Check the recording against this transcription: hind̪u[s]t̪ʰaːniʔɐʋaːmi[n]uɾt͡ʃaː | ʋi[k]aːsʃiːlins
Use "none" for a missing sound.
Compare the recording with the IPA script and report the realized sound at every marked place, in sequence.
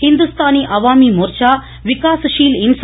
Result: s, m, k

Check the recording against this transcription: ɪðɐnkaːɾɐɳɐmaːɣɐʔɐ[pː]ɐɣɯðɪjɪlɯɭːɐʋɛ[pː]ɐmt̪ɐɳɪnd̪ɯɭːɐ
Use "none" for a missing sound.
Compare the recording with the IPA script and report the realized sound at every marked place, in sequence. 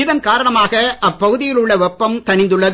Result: pː, pː

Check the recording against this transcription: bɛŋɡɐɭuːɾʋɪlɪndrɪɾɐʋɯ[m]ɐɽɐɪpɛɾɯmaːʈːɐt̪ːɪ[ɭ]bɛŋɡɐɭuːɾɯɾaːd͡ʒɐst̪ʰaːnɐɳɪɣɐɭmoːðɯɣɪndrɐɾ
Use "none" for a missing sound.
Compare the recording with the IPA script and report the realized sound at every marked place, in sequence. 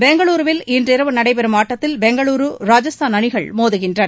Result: n, l

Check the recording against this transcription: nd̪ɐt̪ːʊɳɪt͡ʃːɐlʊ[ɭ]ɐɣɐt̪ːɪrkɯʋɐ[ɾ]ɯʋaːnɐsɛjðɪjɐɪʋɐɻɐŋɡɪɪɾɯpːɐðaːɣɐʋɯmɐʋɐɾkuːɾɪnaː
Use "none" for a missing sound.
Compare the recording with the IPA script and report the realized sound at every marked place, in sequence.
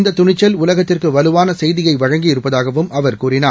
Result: l, l

